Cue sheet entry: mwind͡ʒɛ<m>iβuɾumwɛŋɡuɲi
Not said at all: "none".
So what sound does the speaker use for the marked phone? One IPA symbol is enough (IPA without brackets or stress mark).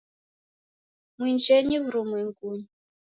ɲ